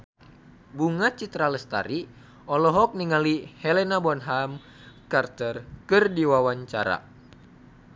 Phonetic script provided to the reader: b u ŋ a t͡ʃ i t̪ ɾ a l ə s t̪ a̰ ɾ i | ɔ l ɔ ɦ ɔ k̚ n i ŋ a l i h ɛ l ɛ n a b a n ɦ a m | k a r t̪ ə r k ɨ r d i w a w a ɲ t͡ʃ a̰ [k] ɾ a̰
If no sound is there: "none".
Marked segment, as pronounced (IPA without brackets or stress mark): none